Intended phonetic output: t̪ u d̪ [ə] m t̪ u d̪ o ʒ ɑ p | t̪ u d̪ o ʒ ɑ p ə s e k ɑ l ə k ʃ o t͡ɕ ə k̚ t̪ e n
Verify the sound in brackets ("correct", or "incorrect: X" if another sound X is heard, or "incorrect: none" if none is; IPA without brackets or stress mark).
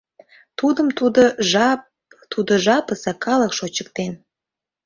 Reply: correct